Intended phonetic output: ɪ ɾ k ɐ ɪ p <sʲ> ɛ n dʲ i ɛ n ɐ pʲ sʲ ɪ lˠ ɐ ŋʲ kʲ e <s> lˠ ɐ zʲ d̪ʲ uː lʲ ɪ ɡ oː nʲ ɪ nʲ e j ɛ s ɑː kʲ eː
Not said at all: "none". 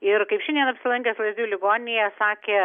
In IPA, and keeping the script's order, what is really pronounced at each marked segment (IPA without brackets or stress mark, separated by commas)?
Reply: ʃʲ, s